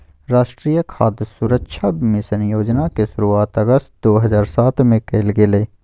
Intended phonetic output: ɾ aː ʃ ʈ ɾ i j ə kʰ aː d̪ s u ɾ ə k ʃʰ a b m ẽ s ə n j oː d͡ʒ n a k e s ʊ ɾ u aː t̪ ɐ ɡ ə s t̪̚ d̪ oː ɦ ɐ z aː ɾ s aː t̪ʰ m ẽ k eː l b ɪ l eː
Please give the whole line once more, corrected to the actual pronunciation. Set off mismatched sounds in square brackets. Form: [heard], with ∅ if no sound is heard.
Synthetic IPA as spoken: ɾ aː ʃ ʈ ɾ i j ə kʰ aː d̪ s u ɾ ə k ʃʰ a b m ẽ s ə n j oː d͡ʒ n a k e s ʊ ɾ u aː t̪ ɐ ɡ ə s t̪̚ d̪ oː ɦ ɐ z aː ɾ s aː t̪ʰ m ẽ k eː l [ɡ] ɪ l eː